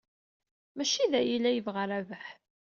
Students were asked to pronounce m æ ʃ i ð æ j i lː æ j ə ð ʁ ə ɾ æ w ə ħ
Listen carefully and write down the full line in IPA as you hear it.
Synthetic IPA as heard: m æ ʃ i ð æ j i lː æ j ə v ʁ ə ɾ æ v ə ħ